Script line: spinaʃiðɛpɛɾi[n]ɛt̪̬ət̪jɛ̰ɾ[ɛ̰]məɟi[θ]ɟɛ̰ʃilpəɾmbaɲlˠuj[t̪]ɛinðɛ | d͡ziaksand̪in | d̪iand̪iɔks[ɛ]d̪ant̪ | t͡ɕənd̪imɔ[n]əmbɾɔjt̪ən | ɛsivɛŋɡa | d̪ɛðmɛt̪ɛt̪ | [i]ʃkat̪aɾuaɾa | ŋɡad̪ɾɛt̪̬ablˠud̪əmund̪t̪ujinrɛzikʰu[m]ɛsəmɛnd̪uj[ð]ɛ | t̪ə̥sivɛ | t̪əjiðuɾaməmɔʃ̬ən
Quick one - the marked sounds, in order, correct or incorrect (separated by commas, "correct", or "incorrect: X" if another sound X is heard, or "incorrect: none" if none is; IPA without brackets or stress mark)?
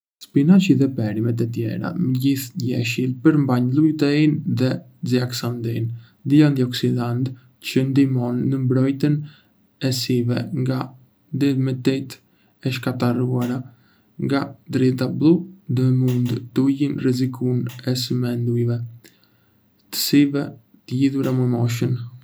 incorrect: m, incorrect: a̰, correct, correct, incorrect: i, incorrect: nː, incorrect: ɛ, incorrect: n, incorrect: v